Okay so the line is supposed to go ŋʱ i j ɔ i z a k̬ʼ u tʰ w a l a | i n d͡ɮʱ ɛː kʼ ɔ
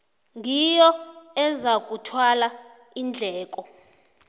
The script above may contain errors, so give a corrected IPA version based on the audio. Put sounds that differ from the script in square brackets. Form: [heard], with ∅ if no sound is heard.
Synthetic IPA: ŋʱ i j ɔ [ɛ] z a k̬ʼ u tʰ w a l a | i n d͡ɮʱ ɛː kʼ ɔ

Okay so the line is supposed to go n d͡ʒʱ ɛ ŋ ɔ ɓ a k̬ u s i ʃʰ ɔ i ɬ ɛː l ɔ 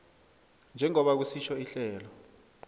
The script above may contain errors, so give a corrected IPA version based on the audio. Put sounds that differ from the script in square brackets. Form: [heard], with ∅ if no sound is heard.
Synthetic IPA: n d͡ʒʱ ɛ ŋ ɔ ɓ a k̬ u s i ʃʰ ɔ i ɬ ɛː l ɔ

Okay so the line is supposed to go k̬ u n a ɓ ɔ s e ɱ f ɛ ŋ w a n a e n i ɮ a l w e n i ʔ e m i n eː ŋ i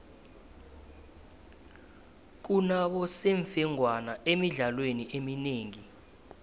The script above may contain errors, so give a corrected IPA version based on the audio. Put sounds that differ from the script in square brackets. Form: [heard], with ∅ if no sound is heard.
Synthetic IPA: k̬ u n a ɓ ɔ s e ɱ f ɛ ŋ w a n a e [m] i ɮ a l w e n i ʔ e m i n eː ŋ i

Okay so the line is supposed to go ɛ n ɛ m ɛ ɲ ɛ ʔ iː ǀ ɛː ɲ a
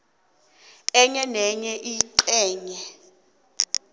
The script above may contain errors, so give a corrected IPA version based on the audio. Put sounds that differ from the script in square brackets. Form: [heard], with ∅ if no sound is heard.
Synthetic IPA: ɛ [ɲ] ɛ [n] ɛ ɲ ɛ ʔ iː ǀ ɛː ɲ [ɛ]

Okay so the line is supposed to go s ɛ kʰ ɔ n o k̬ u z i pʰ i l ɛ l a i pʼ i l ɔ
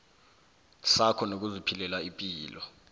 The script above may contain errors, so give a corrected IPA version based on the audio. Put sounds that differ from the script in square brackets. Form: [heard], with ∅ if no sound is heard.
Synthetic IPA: s [a] kʰ ɔ n o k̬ u z i pʰ i l ɛ l a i pʼ [iː] l ɔ

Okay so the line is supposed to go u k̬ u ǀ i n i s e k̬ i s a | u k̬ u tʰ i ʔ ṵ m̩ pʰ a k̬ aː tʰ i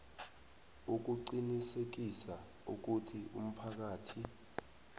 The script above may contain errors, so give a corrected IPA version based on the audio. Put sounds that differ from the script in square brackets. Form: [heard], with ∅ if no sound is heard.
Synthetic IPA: u k̬ u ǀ i n i s e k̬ i s a | u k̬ u tʰ i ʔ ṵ m̩ pʰ a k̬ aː tʰ i

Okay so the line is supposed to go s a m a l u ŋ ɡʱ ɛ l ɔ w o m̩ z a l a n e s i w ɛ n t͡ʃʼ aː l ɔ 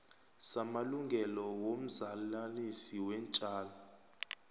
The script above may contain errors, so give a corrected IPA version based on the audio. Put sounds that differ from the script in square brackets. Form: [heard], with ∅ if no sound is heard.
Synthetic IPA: s a m a l u ŋ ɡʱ ɛ l ɔ w o m̩ z a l a n [i] s i w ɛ n t͡ʃʼ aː l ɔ

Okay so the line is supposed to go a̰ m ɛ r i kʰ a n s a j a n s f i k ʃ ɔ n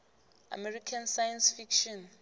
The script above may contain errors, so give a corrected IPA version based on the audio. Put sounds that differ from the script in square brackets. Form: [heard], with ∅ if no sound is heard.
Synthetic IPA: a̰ m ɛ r i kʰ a n s a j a n s f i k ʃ ɔ n

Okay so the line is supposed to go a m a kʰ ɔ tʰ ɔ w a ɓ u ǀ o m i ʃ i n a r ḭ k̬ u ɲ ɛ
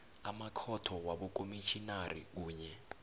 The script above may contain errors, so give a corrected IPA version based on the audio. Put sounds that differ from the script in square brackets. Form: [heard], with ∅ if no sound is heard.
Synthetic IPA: a m a kʰ ɔ tʰ ɔ w a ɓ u [k] o m i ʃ i n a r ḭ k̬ [uː] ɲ ɛ

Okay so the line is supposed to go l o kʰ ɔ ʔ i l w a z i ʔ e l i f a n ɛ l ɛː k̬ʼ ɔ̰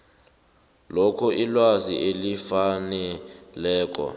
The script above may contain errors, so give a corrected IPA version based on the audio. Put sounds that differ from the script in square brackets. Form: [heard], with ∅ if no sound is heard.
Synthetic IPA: l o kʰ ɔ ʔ i l w a z i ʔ e l i f a n ɛ l ɛː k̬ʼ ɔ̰

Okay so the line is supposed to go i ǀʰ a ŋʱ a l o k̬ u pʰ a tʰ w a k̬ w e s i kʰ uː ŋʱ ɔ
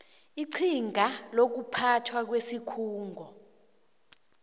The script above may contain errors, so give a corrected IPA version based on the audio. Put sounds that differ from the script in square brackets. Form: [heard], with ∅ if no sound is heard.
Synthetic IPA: i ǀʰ [i] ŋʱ a l o k̬ u pʰ a tʰ w a k̬ w e s i kʰ uː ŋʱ ɔ

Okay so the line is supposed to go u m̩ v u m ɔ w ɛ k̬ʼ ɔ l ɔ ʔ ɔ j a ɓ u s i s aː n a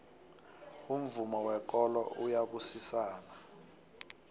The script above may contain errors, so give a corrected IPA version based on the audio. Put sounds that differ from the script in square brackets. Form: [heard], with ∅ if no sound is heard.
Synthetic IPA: u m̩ v u m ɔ w ɛ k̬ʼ ɔ l ɔ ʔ [u] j a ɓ u s i s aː n a

